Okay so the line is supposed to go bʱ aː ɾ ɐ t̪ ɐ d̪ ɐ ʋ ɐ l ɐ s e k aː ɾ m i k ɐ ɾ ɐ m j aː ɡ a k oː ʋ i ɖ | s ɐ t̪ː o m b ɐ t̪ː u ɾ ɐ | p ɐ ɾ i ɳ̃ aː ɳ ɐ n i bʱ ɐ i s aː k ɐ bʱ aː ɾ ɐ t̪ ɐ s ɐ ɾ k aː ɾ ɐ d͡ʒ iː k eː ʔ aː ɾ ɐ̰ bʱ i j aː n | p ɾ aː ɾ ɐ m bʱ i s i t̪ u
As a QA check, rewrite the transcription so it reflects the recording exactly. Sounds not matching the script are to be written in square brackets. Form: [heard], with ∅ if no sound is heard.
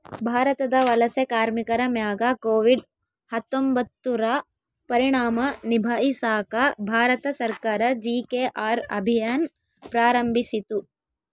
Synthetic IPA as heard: bʱ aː ɾ ɐ t̪ ɐ d̪ ɐ ʋ ɐ l ɐ s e k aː ɾ m i k ɐ ɾ ɐ m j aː ɡ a k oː ʋ i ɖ | [h] ɐ t̪ː o m b ɐ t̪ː u ɾ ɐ | p ɐ ɾ i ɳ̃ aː [m] ɐ n i bʱ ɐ i s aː k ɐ bʱ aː ɾ ɐ t̪ ɐ s ɐ ɾ k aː ɾ ɐ d͡ʒ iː k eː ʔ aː ɾ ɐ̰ bʱ i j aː n | p ɾ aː ɾ ɐ m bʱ i s i t̪ u

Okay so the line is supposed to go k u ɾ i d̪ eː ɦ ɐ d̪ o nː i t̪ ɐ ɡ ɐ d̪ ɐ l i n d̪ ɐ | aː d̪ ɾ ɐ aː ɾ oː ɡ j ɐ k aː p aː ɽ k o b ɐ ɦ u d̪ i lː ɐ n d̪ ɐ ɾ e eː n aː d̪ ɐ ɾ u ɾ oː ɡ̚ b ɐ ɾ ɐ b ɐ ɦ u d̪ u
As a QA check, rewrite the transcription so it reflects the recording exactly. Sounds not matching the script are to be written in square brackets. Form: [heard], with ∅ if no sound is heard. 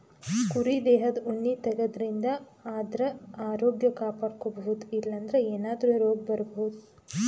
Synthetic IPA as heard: k u ɾ i d̪ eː ɦ ɐ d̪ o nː i t̪ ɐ ɡ ɐ d̪ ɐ [ɾ] i n d̪ ɐ | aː d̪ ɾ ɐ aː ɾ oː ɡ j ɐ k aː p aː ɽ k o b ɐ ɦ u d̪ i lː ɐ n d̪ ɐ ɾ e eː n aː d̪ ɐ ɾ u ɾ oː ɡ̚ b ɐ ɾ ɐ b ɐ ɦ u d̪ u

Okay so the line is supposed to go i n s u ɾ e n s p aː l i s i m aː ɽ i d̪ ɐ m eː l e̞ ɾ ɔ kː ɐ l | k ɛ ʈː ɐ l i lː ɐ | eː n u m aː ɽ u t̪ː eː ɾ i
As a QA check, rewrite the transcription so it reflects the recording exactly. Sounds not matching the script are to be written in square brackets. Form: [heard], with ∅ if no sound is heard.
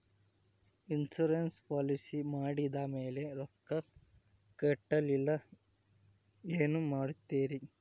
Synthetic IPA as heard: i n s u ɾ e n s p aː l i s i m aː ɽ i d̪ ɐ m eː l e̞ ɾ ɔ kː ɐ [∅] | k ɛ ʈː ɐ l i lː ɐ | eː n u m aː ɽ u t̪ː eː ɾ i

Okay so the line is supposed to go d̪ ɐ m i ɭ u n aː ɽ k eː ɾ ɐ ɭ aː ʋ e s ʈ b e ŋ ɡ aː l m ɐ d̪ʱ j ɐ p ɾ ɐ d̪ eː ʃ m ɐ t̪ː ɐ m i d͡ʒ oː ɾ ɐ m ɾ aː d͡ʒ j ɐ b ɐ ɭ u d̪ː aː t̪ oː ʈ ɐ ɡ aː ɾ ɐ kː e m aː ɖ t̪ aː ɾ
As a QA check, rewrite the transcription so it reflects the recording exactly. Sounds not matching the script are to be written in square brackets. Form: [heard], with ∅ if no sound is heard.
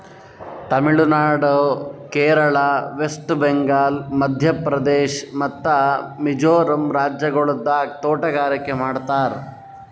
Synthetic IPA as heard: [t̪] ɐ m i ɭ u n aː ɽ k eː ɾ ɐ ɭ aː ʋ e s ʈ b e ŋ ɡ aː l m ɐ d̪ʱ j ɐ p ɾ ɐ d̪ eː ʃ m ɐ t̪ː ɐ m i d͡ʒ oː ɾ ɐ m ɾ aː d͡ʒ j ɐ [ɡ] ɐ ɭ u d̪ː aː t̪ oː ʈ ɐ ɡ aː ɾ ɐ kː e m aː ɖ t̪ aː ɾ

